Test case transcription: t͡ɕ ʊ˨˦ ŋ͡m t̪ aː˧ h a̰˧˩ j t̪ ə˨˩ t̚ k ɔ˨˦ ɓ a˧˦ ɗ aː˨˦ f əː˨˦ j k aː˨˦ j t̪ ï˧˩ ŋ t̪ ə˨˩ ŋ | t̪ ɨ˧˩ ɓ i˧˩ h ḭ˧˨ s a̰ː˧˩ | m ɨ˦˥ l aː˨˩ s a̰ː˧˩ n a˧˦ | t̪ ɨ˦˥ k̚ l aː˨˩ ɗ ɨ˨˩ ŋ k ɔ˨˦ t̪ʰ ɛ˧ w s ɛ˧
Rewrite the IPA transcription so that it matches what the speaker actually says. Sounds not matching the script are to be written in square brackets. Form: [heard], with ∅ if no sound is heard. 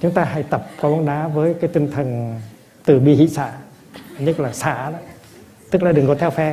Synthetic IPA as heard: t͡ɕ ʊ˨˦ ŋ͡m t̪ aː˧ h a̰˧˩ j t̪ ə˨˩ [p̚] k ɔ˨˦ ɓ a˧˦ ɗ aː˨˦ [v] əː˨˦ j k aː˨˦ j t̪ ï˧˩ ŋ [t̪ʰ] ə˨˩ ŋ | t̪ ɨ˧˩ ɓ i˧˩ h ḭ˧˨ s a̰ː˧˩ | [ɲ] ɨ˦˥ l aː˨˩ s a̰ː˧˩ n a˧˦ | t̪ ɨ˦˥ k̚ l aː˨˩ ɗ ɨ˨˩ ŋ k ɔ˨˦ t̪ʰ ɛ˧ w [f] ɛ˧